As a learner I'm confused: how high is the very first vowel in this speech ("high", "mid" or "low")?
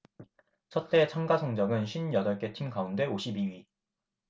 mid